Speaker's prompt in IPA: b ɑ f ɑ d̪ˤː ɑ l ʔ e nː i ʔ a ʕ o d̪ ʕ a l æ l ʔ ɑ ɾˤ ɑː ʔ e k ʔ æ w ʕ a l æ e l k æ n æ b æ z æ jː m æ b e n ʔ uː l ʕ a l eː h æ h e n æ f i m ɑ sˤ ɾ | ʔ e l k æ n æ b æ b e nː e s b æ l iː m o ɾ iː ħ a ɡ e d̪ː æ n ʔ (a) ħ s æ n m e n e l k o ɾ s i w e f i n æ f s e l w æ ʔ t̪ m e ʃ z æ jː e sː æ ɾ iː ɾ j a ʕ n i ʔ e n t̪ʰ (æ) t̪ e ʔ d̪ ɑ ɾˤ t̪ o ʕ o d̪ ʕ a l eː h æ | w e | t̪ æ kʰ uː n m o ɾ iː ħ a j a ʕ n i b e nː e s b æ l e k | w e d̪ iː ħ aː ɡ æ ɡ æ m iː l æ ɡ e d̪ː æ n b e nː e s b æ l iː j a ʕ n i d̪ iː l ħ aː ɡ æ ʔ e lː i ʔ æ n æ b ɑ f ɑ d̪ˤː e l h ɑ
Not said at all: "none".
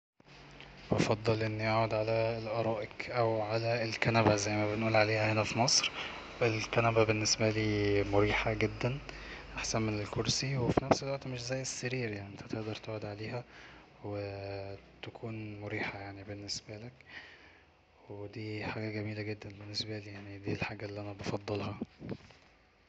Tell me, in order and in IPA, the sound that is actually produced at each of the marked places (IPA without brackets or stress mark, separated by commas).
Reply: a, æ